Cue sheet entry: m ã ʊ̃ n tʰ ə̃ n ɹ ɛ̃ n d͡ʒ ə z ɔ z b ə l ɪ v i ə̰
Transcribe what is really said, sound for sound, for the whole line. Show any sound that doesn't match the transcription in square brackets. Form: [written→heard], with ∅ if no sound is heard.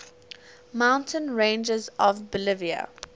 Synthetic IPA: m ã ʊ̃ n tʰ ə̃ n ɹ [ɛ̃→ẽ] n d͡ʒ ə z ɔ [z→v] b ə l ɪ v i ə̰